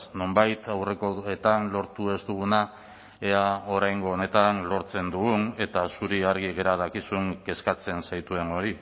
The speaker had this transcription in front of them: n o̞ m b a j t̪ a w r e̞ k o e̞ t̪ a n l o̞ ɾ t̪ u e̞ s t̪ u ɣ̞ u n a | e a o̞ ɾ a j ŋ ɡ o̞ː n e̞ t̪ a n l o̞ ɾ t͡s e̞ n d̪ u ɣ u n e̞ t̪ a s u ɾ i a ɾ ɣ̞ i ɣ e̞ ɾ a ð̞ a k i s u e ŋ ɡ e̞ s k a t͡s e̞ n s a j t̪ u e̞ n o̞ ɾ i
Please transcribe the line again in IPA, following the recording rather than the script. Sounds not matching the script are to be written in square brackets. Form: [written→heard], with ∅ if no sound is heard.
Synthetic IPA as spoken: n o̞ m b a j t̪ a w r e̞ k o e̞ t̪ a n l o̞ ɾ t̪ u e̞ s t̪ u ɣ̞ u n a | e a o̞ ɾ a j ŋ ɡ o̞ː n e̞ t̪ a n l o̞ ɾ t͡s e̞ n d̪ u ɣ u n e̞ t̪ a s u ɾ i a ɾ ɣ̞ i ɣ e̞ ɾ a ð̞ a k i s u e ŋ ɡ e̞ s k a t͡s e̞ n s a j t̪ u e̞ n o̞ ɾ i